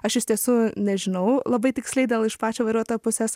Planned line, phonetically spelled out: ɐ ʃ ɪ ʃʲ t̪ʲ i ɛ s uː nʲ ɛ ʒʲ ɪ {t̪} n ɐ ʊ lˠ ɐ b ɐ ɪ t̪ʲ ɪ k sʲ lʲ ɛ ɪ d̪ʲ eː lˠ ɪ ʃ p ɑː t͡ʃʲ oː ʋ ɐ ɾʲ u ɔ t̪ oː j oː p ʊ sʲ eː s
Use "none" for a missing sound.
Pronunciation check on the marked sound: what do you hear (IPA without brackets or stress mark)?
none